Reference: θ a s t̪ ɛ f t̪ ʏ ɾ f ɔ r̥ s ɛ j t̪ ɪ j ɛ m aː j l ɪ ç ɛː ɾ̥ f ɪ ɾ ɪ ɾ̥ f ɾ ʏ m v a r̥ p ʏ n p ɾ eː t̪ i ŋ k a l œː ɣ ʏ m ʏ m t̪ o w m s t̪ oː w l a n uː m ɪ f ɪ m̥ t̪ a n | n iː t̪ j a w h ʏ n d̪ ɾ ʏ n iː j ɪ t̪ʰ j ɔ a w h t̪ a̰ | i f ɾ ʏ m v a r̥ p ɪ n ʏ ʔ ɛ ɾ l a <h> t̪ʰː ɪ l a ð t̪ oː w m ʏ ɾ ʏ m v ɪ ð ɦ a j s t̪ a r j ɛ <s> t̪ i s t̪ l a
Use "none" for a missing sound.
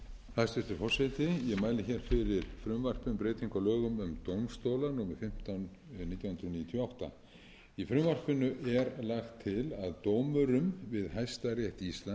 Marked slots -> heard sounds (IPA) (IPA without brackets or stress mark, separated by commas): x, h